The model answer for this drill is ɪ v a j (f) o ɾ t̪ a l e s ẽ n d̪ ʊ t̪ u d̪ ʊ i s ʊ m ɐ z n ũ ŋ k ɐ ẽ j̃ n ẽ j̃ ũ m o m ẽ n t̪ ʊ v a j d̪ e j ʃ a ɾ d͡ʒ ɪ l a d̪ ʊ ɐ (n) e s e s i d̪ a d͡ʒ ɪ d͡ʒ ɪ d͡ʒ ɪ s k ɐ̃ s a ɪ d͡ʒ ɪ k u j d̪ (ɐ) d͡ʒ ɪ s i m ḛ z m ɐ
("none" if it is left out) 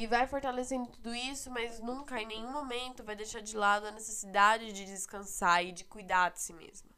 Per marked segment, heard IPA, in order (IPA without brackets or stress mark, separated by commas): f, n, a